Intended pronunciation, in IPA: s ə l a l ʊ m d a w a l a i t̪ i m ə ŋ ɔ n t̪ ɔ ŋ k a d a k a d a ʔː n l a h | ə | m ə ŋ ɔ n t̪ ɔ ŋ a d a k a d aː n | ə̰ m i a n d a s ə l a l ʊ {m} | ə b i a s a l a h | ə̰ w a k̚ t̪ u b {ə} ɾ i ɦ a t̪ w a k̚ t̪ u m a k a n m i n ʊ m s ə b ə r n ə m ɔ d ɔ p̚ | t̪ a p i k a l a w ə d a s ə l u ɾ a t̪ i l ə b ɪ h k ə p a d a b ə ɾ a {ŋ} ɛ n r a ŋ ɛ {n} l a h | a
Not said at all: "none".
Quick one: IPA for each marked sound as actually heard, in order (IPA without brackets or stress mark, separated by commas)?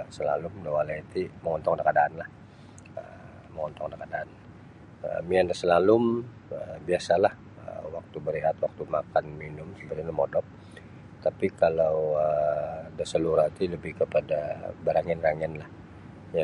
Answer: m, ə, ŋ, n